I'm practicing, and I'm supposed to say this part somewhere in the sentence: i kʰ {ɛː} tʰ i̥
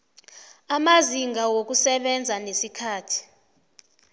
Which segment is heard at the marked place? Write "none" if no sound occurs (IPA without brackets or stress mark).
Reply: aː